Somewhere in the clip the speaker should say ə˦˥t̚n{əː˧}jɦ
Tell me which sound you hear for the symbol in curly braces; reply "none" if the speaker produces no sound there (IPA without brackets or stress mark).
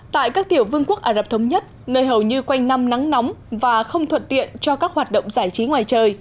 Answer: əː˧